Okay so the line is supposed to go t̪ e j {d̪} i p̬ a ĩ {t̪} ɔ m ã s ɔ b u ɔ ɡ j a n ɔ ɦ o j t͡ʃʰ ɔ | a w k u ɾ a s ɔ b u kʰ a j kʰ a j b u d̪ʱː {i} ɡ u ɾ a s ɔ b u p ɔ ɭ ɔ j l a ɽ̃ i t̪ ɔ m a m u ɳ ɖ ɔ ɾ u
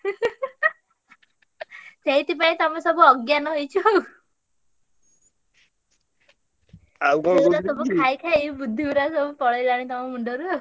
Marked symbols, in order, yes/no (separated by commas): no, yes, yes